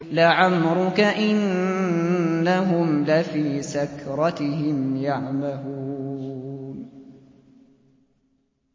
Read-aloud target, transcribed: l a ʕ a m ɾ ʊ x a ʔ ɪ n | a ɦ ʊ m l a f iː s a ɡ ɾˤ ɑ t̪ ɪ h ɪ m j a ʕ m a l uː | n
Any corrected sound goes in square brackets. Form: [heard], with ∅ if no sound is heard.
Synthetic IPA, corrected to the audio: l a ʕ a m ɾ ʊ [k] a ʔ ɪ n | a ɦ ʊ m l a f iː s a [k] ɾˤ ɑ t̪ ɪ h ɪ m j a ʕ m a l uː | n